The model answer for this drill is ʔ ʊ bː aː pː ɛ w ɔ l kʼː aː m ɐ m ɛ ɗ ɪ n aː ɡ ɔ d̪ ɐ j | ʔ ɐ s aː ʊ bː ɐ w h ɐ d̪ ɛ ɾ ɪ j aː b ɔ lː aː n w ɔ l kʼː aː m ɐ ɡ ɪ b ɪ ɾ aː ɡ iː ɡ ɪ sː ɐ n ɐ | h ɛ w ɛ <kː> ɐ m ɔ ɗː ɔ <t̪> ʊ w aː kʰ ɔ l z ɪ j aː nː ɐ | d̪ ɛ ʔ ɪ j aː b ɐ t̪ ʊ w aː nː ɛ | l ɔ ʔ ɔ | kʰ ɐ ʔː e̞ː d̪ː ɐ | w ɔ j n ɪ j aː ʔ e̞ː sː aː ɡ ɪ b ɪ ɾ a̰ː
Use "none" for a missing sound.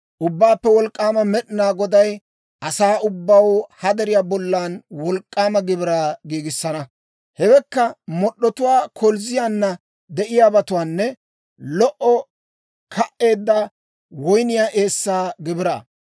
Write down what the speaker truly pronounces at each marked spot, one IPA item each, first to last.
kː, t̪

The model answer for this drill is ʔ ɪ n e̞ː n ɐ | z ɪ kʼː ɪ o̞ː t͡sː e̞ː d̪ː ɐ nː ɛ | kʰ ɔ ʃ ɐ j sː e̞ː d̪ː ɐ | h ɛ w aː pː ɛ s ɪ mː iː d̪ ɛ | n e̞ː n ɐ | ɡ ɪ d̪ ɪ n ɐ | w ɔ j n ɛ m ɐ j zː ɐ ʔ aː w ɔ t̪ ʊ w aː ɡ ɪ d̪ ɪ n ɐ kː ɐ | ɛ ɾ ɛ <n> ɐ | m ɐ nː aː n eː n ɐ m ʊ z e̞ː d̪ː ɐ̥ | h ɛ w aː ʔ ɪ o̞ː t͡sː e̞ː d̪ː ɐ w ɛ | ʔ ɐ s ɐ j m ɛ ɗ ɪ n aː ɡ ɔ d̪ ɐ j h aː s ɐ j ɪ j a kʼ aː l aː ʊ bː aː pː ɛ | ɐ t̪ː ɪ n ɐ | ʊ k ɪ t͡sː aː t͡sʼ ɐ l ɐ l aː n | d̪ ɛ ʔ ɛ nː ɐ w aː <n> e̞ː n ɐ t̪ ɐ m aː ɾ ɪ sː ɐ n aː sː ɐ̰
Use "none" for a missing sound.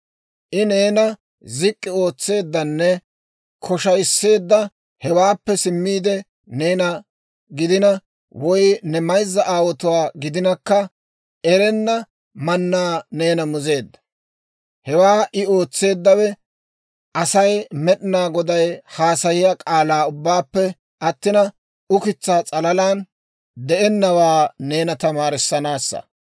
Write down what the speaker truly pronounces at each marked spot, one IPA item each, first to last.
nː, n

